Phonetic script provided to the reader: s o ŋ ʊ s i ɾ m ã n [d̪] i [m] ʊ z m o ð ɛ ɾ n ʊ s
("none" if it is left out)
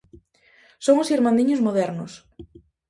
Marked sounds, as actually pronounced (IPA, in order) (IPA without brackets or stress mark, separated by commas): d̪, ɲ